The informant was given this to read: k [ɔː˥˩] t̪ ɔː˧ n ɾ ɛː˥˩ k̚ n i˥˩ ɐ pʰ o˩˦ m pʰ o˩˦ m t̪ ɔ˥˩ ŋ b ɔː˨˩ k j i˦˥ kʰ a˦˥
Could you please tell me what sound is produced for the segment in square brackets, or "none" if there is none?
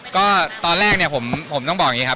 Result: ɔː˥˩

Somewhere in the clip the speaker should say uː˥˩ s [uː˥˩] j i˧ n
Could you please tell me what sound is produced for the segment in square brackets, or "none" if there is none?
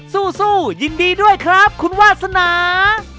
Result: uː˥˩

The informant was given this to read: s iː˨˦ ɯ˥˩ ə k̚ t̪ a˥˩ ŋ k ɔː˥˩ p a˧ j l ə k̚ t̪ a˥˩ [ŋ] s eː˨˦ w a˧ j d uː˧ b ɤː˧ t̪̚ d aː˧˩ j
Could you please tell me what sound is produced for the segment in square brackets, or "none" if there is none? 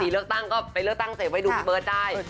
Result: ŋ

